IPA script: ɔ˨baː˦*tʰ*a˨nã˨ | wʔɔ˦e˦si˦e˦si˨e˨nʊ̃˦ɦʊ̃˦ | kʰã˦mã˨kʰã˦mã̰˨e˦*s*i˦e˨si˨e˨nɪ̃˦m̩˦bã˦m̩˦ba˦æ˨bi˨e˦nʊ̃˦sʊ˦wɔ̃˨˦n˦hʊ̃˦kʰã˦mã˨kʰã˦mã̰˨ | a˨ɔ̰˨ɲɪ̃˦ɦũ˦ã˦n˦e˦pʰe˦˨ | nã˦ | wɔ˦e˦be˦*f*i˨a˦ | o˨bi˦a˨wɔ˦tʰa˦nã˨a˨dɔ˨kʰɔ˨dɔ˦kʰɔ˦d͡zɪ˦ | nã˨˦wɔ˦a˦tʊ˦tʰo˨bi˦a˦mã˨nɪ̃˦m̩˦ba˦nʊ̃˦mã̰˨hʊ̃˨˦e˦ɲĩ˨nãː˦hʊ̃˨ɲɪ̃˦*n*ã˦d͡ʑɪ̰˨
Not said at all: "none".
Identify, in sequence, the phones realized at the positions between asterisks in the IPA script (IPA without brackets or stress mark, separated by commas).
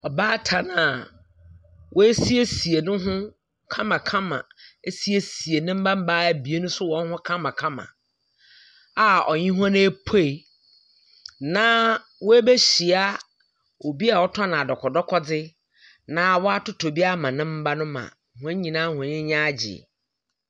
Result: tʰ, s, ɕ, ɲ